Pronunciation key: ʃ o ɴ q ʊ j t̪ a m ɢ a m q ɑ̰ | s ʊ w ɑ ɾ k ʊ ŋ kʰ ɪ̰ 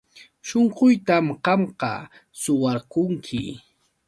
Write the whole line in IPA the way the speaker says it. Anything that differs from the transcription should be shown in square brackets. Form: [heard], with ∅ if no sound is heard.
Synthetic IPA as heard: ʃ o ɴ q ʊ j t̪ a m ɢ [ɑ] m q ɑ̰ | s ʊ w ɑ ɾ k ʊ ŋ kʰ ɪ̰

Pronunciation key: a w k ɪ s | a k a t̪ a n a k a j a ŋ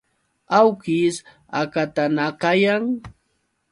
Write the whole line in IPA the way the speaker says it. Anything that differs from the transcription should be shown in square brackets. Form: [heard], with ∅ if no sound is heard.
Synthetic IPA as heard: a w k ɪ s | a k a t̪ a n a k a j a ŋ

